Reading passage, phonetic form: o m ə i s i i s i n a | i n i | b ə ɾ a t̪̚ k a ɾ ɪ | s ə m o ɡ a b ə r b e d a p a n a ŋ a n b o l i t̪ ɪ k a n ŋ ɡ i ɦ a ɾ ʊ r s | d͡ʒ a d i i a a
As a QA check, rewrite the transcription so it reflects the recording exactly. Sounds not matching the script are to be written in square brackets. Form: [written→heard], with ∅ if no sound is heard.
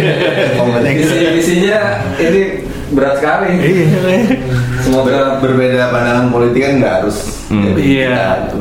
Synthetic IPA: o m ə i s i i s i [n→ɲ] a | i n i | b ə ɾ a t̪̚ k a [ɾ→l] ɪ | s ə m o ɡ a b ə r b e d a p a n a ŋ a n [b→p] o l i t̪ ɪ k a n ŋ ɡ [i→a] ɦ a ɾ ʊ [r→∅] s | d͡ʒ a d i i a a